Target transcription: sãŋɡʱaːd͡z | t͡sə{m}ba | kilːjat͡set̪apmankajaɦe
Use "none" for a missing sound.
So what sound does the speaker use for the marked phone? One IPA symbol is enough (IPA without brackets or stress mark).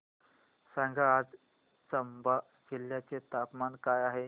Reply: m